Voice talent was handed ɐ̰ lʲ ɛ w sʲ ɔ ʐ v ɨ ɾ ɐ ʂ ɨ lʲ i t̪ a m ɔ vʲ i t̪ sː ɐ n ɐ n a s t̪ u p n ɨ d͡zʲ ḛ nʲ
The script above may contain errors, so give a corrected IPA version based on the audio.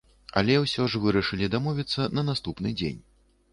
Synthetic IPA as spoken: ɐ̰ lʲ ɛ w sʲ ɔ ʐ v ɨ ɾ ɐ ʂ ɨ lʲ i d̪ a m ɔ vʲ i t̪ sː ɐ n ɐ n a s t̪ u p n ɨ d͡zʲ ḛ nʲ